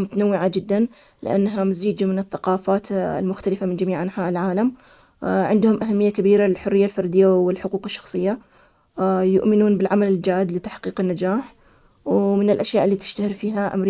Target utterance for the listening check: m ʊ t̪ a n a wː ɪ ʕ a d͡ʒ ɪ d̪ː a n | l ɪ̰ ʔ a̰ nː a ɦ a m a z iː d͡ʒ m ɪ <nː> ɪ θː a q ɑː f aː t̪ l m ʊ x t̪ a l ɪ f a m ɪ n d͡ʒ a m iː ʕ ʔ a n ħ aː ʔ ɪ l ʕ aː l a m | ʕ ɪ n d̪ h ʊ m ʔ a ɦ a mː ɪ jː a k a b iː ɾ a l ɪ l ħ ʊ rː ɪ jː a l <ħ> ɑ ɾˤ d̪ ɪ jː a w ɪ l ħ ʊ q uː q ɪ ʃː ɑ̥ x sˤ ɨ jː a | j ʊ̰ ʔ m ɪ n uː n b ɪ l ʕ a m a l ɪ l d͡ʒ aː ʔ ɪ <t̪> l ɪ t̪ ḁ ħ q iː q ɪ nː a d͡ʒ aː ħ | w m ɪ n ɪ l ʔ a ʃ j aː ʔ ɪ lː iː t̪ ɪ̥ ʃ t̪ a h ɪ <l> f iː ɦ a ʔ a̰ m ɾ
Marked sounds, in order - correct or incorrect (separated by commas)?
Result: incorrect, incorrect, incorrect, incorrect